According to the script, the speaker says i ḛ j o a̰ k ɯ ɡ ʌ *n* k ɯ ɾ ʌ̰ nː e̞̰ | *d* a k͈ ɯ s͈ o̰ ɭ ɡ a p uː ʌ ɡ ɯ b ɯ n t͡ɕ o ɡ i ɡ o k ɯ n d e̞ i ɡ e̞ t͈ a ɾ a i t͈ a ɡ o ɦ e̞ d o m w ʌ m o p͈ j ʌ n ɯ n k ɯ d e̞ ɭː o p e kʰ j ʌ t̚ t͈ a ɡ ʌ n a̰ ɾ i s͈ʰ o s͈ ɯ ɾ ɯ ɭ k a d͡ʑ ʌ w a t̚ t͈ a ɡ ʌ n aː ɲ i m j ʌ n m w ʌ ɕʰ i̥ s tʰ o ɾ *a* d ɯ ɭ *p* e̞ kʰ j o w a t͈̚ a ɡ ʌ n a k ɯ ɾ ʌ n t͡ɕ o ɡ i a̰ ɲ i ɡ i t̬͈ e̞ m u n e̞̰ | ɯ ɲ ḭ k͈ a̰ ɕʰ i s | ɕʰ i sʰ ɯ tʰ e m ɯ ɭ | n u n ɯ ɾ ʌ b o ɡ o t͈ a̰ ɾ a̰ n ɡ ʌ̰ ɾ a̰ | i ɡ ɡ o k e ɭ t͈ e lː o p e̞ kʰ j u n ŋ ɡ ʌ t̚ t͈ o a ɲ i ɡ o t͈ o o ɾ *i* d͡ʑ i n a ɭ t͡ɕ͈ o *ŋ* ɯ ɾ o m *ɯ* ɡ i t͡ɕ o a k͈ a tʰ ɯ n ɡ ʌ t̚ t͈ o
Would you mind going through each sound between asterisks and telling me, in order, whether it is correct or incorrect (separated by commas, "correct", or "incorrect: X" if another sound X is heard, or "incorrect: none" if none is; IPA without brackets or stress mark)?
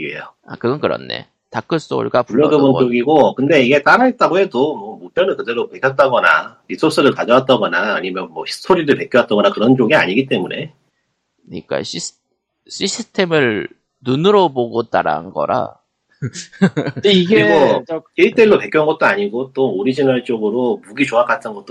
correct, incorrect: t, incorrect: i, correct, correct, incorrect: ɡ, incorrect: u